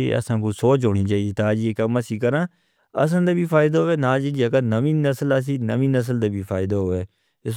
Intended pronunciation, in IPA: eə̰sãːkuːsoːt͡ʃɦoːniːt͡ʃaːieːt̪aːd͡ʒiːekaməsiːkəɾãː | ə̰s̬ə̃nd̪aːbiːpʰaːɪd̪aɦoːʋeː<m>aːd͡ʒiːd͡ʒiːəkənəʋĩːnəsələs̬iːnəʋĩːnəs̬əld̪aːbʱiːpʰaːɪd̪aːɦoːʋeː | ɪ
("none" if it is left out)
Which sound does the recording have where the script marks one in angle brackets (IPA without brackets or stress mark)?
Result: n